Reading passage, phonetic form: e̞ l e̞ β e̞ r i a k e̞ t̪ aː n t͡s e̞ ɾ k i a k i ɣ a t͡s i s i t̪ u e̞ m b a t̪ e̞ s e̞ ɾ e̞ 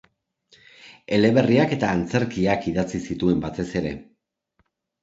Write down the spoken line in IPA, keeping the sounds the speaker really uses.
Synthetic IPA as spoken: e̞ l e̞ β e̞ r i a k e̞ t̪ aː n t͡s e̞ ɾ k i a k i ð a t͡s i s i t̪ u e̞ m b a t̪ e̞ s e̞ ɾ e̞